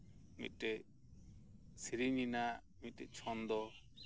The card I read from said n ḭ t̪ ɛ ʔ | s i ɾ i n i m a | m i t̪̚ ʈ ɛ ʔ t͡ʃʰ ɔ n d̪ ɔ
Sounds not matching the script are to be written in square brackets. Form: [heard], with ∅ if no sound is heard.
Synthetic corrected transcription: [m] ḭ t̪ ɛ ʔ | s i ɾ i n i [n] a | m i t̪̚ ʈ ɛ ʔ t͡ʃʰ ɔ n d̪ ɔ